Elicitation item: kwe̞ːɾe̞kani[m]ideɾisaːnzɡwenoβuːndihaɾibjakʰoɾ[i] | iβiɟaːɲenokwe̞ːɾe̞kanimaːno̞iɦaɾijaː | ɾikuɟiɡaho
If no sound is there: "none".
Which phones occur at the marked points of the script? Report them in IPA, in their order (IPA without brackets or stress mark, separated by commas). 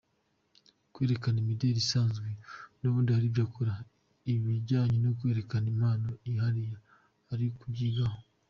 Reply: m, a